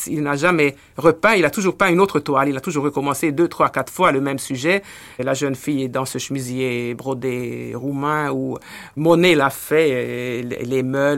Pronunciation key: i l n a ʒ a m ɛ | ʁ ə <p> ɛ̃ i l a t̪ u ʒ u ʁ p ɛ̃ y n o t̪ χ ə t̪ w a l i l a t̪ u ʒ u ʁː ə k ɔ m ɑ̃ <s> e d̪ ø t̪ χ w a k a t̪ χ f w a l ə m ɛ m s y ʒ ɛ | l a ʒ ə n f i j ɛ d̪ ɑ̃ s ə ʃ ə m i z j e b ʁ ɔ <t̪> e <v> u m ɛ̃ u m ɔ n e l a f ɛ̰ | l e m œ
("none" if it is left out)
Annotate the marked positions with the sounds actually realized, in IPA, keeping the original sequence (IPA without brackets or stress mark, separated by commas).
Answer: p, s, d̪, ʁ